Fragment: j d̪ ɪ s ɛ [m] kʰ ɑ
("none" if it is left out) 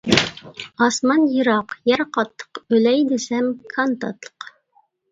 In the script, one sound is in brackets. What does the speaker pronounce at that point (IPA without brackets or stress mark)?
m